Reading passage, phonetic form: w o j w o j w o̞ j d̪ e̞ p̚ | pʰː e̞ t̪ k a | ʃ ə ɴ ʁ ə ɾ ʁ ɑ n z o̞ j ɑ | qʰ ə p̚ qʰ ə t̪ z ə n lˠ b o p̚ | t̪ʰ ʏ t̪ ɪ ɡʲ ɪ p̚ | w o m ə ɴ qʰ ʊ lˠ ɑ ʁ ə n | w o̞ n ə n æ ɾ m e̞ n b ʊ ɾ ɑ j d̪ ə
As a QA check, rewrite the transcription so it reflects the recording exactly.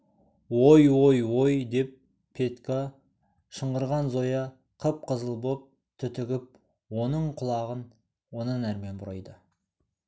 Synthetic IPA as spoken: w o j w o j w o̞ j d̪ e̞ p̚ | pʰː e̞ t̪ k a | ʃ ə ɴ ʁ ə ɾ ʁ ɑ n z o̞ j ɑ | qʰ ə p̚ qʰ ə z ə lˠ b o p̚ | t̪ʰ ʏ t̪ ɪ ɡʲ ɪ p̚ | w o n ə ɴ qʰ ʊ lˠ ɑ ʁ ə n | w o̞ n ə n æ ɾ m e̞ n b ʊ ɾ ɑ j d̪ ə